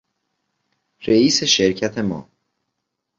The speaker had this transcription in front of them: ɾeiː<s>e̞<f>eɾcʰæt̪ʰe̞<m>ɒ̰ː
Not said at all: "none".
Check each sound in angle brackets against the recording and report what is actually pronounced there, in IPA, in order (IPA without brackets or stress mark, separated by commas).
s, ʃ, m